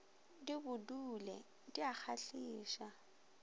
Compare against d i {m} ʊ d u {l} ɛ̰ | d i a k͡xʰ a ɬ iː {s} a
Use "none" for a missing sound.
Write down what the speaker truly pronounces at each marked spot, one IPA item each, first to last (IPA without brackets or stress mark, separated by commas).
b, l, ʃ